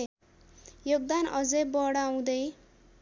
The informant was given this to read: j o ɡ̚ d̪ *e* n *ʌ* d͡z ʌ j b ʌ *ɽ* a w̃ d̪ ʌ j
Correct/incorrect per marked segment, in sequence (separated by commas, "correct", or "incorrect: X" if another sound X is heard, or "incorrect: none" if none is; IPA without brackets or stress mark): incorrect: a, correct, correct